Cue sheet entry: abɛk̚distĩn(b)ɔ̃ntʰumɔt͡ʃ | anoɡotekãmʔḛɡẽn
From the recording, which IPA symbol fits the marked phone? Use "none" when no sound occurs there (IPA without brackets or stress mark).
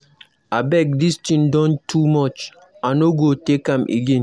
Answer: d